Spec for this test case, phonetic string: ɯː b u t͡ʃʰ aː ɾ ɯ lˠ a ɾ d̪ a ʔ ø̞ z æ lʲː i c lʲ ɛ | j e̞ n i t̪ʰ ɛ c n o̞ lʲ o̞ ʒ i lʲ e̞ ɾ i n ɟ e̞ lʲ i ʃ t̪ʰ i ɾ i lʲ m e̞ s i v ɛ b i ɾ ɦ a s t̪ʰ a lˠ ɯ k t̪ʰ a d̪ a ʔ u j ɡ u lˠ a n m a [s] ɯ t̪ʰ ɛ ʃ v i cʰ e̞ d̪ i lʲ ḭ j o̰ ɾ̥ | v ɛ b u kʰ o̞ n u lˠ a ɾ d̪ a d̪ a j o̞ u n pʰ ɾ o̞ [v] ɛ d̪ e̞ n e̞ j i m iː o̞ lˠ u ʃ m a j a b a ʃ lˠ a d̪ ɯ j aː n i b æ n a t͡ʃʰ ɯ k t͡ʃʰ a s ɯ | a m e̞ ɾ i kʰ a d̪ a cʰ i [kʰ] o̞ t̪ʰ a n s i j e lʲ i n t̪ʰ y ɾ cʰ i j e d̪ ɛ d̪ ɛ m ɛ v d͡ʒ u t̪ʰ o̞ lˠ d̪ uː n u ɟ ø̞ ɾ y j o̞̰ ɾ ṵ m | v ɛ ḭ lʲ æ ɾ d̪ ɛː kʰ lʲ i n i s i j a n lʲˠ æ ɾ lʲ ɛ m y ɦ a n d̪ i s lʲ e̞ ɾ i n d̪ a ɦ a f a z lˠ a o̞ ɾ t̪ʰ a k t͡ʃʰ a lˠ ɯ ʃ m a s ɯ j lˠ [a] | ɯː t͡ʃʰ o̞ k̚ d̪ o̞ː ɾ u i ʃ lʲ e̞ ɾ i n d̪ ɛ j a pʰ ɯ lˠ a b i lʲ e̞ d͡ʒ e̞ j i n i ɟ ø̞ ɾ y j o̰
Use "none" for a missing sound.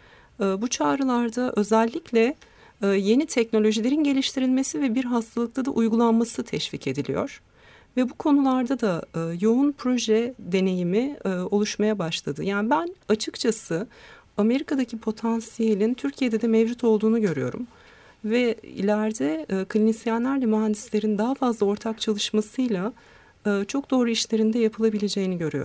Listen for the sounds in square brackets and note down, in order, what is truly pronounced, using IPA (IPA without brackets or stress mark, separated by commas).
s, ʒ, pʰ, a